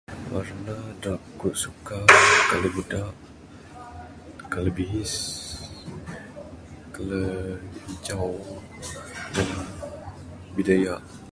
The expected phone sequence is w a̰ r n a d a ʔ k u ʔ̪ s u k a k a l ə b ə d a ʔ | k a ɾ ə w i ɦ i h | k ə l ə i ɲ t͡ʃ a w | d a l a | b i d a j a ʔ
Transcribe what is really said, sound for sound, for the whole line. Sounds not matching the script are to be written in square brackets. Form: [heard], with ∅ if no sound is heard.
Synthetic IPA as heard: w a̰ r n a d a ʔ k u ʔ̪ s u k a k a l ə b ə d a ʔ | k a [l] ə [b] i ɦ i [s] | k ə l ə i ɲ t͡ʃ a w | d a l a | b i d a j a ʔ